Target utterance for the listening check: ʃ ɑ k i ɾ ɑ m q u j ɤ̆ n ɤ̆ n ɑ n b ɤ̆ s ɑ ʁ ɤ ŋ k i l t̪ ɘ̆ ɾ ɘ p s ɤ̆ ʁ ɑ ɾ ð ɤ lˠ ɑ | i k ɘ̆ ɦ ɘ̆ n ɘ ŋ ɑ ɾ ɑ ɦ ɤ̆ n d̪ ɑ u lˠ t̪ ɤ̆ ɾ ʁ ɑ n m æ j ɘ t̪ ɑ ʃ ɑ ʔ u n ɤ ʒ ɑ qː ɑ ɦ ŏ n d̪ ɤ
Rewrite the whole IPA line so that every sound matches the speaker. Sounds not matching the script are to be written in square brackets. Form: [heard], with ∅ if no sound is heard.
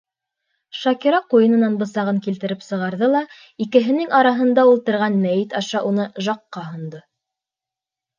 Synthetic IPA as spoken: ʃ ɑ k i ɾ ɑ [∅] q u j ɤ̆ n ɤ̆ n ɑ n b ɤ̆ s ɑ ʁ ɤ ŋ k i l t̪ ɘ̆ ɾ ɘ p s ɤ̆ ʁ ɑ ɾ ð ɤ lˠ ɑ | i k ɘ̆ ɦ ɘ̆ n ɘ ŋ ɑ ɾ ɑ ɦ ɤ̆ n d̪ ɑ u lˠ t̪ ɤ̆ ɾ ʁ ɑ n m æ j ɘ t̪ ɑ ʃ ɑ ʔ u n ɤ ʒ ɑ qː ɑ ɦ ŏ n d̪ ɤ